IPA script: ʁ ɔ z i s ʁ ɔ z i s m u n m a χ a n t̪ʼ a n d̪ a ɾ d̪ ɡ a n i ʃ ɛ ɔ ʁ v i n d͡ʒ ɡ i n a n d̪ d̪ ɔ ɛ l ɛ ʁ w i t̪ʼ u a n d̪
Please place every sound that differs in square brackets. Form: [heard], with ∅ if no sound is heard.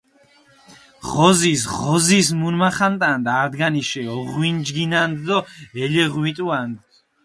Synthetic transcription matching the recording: ʁ ɔ z i s ʁ ɔ z i s m u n m a χ a n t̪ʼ a n d̪ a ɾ d̪ ɡ a n i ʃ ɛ ɔ ʁ [w] i n d͡ʒ ɡ i n a n d̪ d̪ ɔ ɛ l ɛ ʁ w i t̪ʼ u a n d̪